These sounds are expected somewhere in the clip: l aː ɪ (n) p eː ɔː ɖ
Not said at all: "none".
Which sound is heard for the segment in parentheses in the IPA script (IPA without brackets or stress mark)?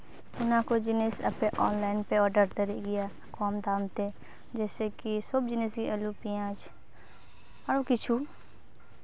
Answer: n